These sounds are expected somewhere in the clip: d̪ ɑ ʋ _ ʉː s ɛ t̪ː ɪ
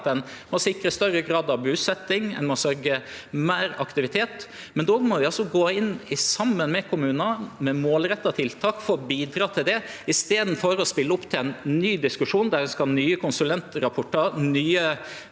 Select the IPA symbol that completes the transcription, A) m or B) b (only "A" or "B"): B